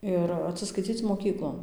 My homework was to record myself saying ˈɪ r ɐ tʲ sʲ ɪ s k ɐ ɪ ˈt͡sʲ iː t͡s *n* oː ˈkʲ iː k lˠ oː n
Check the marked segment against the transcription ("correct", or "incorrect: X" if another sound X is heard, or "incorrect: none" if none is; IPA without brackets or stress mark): incorrect: m